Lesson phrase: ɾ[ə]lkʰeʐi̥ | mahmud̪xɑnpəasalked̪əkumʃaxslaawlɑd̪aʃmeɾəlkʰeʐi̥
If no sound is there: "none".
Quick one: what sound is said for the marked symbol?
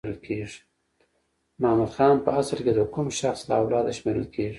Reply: ə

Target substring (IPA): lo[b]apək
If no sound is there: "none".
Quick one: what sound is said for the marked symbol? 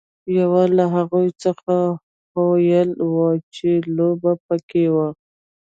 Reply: b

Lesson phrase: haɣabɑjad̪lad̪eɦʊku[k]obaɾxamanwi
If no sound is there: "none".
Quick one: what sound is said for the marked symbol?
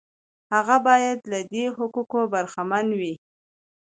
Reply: k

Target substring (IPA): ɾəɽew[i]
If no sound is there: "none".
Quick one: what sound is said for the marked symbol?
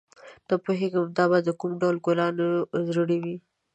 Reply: i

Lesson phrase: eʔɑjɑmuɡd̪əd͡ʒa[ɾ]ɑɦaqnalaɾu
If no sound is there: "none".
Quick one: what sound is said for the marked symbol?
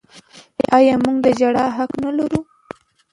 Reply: ɽ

